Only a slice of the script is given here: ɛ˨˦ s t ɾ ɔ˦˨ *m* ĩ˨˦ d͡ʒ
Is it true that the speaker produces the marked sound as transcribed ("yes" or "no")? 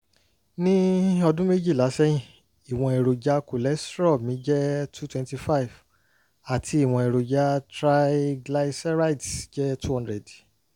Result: yes